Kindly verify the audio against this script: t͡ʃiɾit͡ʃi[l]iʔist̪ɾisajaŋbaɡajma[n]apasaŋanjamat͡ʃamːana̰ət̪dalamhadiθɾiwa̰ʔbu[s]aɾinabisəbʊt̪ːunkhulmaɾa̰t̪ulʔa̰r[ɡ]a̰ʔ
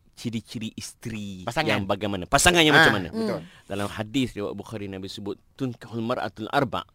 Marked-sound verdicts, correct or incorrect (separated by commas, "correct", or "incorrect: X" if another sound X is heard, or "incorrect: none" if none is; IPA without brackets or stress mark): incorrect: ɾ, correct, incorrect: x, incorrect: b